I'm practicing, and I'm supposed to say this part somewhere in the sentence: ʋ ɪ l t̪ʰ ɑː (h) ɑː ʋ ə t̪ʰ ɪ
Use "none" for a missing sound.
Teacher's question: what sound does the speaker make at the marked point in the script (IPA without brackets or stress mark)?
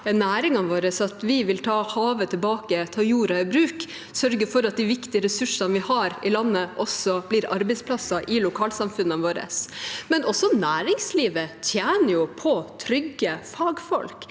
h